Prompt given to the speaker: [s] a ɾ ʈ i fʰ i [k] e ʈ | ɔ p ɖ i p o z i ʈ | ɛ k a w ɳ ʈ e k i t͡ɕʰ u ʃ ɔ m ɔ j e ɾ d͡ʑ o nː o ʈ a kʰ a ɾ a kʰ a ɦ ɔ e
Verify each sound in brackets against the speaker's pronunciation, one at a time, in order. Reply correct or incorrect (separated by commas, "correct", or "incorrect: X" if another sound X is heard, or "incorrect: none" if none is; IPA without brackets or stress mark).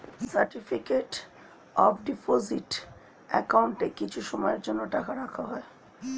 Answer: correct, correct